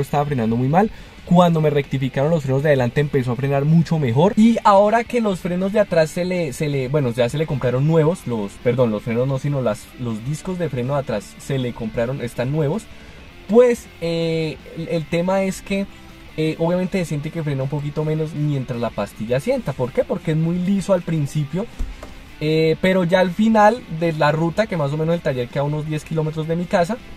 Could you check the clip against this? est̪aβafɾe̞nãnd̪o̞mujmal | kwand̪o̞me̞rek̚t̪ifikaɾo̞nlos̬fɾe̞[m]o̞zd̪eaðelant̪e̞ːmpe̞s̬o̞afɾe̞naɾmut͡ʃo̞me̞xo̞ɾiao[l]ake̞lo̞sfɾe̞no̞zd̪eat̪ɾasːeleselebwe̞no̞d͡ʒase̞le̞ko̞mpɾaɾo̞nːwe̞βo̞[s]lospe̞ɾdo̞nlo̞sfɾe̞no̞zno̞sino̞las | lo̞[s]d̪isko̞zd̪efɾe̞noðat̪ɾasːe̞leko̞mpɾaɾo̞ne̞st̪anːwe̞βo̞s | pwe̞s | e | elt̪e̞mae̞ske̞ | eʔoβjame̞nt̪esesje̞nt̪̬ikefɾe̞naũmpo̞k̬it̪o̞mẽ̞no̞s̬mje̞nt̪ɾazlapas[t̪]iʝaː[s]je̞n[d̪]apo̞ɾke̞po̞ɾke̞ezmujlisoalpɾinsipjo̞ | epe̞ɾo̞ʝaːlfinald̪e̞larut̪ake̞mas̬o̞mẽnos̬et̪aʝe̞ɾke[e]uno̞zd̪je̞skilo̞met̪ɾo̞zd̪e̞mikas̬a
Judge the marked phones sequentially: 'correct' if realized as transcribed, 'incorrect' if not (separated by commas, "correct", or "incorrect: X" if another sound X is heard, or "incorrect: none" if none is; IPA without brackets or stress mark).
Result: incorrect: n, incorrect: ɾ, correct, incorrect: z, correct, correct, incorrect: t̪, incorrect: a